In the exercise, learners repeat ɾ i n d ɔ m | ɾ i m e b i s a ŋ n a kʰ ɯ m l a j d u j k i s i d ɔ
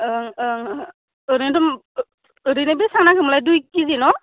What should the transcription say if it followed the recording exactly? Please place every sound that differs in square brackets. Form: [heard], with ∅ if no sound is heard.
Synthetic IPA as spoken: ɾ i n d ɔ m | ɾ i [n] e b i s a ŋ n a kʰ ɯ m l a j d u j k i [z] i [n] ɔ